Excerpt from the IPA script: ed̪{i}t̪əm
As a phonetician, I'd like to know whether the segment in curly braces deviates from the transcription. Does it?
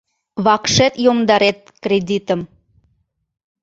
no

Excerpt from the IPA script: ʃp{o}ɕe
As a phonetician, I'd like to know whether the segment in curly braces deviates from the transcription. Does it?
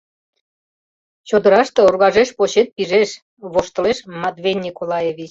no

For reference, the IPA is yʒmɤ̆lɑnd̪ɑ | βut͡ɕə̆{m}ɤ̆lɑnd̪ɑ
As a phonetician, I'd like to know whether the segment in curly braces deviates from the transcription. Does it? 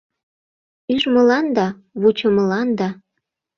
no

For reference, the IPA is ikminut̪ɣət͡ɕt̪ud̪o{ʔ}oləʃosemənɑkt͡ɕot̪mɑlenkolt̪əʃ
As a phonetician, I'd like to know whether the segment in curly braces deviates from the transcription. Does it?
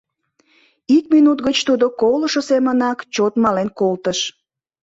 yes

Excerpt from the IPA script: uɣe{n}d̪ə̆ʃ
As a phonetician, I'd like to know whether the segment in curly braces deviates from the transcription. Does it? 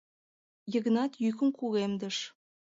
yes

